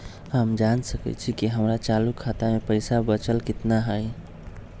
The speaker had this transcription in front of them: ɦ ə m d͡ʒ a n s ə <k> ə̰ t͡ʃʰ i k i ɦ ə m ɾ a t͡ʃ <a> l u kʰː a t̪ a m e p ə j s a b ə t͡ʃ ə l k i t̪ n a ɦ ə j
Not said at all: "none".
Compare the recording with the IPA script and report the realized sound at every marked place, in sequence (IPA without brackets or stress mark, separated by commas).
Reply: k, a